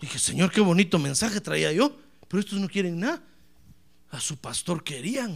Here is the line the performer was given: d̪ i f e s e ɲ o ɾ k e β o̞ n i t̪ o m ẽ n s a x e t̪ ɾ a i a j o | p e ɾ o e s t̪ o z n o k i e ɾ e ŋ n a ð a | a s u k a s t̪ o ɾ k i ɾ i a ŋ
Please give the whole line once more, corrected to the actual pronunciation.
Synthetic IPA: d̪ i x e s e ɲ o ɾ k e β o̞ n i t̪ o m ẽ n s a x e t̪ ɾ a i a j o | p e ɾ o e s t̪ o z n o k j e ɾ e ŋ n a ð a | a s u p a s t̪ o ɾ k e ɾ i a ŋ